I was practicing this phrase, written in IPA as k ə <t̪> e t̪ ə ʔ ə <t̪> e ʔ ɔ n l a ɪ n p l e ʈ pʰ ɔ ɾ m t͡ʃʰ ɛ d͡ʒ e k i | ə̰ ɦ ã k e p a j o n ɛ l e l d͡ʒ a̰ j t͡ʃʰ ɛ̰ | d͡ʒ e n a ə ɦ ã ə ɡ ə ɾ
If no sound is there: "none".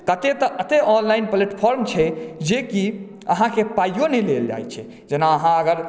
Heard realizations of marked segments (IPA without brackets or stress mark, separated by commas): t̪, t̪